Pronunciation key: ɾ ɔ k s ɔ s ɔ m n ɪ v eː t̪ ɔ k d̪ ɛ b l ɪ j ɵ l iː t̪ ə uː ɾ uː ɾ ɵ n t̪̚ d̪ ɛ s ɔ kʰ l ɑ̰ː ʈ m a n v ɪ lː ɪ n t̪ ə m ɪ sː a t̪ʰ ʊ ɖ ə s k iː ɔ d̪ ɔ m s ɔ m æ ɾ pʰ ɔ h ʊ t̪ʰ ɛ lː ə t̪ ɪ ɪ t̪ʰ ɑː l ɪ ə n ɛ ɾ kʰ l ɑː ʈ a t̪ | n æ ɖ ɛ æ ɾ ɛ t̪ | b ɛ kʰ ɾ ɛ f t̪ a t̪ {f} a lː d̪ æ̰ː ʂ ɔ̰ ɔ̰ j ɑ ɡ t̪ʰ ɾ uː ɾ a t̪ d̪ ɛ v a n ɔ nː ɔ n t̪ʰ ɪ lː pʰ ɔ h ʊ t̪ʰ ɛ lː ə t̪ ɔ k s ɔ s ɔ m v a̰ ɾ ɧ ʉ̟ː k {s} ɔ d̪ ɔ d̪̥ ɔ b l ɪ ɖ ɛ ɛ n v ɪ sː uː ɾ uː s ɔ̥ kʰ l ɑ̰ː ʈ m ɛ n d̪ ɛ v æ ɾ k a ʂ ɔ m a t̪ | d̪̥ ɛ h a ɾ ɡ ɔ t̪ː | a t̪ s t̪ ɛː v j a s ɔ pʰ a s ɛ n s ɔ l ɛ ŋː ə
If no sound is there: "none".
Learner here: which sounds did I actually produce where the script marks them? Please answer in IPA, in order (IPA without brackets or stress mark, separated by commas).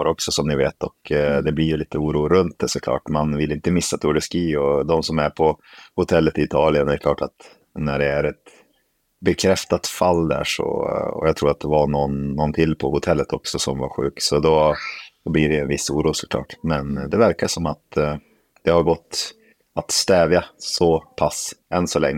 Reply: f, s